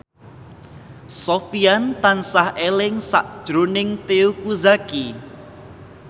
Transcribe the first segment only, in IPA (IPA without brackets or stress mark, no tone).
s